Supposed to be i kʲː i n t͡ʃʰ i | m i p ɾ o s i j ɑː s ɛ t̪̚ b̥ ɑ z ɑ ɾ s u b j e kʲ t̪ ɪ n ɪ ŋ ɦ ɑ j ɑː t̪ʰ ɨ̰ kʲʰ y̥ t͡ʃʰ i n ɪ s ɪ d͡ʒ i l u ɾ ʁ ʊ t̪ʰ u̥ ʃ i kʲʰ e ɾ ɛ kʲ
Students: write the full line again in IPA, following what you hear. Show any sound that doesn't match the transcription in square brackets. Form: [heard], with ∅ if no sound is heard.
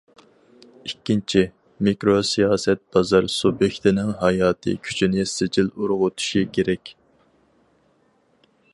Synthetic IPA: i kʲː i n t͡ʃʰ i | m i [k] ɾ o s i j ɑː s ɛ t̪̚ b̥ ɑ z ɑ ɾ s u b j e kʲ t̪ ɪ n ɪ ŋ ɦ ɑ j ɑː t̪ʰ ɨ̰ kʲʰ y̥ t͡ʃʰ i n ɪ s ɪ d͡ʒ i l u ɾ ʁ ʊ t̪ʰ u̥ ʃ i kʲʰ e ɾ ɛ kʲ